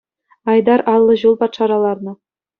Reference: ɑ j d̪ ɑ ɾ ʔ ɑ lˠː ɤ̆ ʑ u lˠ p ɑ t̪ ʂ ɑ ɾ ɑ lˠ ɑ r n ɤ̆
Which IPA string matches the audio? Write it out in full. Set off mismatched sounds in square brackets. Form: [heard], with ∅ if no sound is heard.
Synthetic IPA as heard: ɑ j d̪ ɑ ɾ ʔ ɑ lˠː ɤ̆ ʑ u lˠ p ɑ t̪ ʂ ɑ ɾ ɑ lˠ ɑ r n ɤ̆